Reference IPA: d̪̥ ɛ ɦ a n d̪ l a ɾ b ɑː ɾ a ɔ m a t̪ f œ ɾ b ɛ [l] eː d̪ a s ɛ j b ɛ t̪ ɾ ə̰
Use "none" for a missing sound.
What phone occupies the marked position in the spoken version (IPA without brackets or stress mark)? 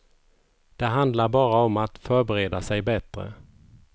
ɾ